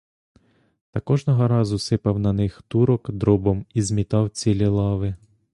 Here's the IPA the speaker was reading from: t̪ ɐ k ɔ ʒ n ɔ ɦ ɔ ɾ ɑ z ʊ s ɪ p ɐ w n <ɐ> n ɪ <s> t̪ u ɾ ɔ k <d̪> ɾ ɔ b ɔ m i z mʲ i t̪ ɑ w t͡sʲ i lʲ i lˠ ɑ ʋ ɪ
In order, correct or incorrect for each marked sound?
correct, incorrect: x, correct

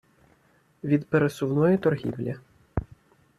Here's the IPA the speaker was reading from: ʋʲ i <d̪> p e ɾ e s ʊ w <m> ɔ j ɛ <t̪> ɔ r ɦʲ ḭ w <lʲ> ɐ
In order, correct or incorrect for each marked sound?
correct, incorrect: n, correct, correct

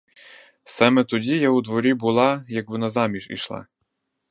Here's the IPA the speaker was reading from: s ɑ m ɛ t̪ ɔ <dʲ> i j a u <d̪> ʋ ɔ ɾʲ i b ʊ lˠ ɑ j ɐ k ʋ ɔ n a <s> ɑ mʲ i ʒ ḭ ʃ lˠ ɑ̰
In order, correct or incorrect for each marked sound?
correct, correct, incorrect: z

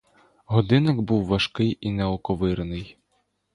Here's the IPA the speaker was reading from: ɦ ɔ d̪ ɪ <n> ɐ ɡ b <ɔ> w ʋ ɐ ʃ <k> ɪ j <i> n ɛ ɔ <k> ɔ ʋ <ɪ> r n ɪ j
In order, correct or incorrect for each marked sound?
correct, incorrect: u, correct, correct, correct, correct

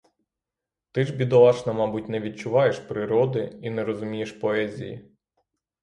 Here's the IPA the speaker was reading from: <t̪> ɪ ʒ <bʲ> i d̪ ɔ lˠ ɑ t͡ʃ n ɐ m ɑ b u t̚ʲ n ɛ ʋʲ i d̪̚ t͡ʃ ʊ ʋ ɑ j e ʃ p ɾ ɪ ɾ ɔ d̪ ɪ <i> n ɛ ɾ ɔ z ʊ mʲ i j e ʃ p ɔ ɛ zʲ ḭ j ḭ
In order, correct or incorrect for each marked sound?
correct, correct, correct

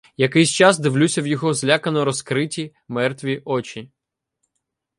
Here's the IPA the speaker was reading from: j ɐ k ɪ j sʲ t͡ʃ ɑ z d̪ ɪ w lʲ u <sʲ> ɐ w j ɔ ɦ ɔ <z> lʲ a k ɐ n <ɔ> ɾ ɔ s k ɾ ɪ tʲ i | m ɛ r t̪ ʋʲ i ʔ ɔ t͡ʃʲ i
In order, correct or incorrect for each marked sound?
correct, correct, correct

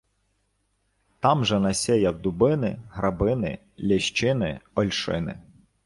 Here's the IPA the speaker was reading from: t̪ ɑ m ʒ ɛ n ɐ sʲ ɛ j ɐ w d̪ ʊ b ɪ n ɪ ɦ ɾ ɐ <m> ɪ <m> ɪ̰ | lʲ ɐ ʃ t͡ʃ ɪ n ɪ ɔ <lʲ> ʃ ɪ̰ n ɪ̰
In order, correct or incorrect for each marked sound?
incorrect: b, incorrect: n, correct

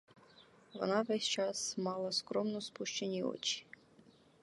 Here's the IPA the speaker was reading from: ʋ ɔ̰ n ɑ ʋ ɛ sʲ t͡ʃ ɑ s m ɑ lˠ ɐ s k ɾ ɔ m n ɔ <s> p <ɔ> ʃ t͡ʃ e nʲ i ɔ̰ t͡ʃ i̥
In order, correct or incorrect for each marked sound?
correct, incorrect: u

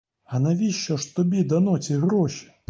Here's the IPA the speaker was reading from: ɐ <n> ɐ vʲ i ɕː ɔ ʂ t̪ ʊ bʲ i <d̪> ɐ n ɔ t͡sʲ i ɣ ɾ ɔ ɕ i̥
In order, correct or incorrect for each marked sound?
correct, correct

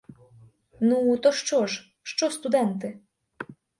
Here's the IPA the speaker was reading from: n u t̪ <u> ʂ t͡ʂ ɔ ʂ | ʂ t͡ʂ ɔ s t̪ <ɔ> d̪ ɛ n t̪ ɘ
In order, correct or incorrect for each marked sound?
incorrect: ɔ, incorrect: u

